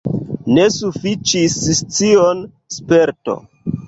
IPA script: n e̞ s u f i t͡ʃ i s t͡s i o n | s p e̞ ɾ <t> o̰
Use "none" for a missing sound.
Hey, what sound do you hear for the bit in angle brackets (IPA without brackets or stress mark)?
t